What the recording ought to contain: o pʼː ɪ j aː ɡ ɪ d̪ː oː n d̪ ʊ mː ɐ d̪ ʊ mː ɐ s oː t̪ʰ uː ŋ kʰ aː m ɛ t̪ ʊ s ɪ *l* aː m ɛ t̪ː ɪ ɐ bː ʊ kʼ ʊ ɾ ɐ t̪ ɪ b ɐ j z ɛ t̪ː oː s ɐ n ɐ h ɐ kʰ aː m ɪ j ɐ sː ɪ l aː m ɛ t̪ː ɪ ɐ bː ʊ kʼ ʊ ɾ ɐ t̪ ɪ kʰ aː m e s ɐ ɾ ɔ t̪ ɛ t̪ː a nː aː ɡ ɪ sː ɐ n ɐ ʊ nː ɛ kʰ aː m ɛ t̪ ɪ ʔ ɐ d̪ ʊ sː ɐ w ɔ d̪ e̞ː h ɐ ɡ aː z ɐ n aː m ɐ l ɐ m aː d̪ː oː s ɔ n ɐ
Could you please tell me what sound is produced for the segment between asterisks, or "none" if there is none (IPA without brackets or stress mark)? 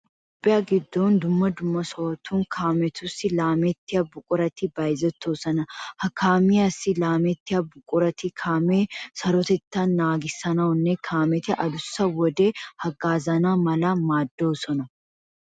l